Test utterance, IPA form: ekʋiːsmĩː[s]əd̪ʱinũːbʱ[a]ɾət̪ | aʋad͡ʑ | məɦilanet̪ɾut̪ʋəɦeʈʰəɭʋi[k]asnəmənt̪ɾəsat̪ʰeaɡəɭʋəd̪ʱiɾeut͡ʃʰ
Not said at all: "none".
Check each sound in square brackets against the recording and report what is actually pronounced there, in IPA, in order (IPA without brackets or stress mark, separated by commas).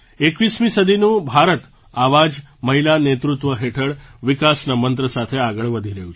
s, a, k